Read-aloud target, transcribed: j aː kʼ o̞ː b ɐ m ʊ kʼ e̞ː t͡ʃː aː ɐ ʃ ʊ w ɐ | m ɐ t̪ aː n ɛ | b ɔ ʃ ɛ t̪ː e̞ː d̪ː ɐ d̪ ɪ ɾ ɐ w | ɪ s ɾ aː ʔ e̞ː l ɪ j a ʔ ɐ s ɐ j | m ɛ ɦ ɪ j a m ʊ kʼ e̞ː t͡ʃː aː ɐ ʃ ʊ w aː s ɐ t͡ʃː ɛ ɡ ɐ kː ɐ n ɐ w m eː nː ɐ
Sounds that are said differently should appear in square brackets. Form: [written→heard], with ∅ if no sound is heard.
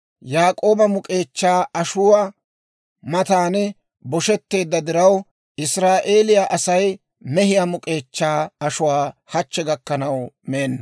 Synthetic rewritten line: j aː kʼ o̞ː b ɐ m ʊ kʼ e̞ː t͡ʃː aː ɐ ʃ ʊ w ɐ | m ɐ t̪ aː n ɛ | b ɔ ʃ ɛ t̪ː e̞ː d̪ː ɐ d̪ ɪ ɾ ɐ w | ɪ s ɾ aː ʔ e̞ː l ɪ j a ʔ ɐ s ɐ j | m ɛ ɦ ɪ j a m ʊ kʼ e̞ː t͡ʃː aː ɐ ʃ ʊ w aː [s→h] ɐ t͡ʃː ɛ ɡ ɐ kː ɐ n ɐ w m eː nː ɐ

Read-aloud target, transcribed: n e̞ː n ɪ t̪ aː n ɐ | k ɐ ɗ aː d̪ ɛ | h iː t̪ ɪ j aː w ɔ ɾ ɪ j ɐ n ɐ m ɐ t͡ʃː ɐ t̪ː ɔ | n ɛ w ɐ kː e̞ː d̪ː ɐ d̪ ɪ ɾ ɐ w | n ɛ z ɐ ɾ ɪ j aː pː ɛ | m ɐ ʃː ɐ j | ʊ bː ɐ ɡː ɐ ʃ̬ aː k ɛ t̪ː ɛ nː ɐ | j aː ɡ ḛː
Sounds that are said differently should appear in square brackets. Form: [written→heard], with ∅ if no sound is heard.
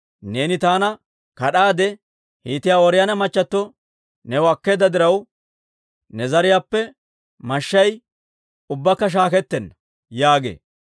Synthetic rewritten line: n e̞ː n ɪ t̪ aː n ɐ | k ɐ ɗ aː d̪ ɛ | h iː t̪ ɪ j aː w ɔ ɾ ɪ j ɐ n ɐ m ɐ t͡ʃː ɐ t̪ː ɔ | n ɛ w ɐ kː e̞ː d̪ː ɐ d̪ ɪ ɾ ɐ w | n ɛ z ɐ ɾ ɪ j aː pː ɛ | m ɐ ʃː ɐ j | ʊ bː ɐ [ɡː→kː] ɐ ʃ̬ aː k ɛ t̪ː ɛ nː ɐ | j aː ɡ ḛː

